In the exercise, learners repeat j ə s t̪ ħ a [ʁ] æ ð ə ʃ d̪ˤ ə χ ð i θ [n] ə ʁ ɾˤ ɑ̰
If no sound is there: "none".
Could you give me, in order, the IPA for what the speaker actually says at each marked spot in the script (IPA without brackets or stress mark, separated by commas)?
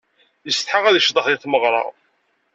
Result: ʁ, m